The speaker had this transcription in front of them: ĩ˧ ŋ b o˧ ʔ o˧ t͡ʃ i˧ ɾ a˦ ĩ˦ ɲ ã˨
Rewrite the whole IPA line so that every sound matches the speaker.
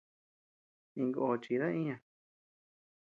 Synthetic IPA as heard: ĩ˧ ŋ ɡ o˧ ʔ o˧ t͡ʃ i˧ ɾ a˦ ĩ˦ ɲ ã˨